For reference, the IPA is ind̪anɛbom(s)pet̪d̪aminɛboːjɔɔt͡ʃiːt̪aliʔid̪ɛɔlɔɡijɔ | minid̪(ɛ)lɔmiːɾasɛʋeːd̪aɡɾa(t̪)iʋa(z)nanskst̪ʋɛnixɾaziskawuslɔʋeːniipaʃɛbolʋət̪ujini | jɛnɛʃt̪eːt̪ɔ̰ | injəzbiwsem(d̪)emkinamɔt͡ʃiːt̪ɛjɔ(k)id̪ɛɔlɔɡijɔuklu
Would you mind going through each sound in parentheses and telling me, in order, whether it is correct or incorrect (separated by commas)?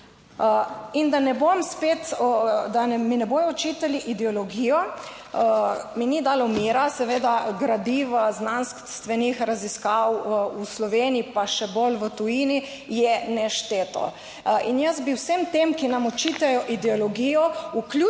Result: correct, incorrect, incorrect, correct, incorrect, incorrect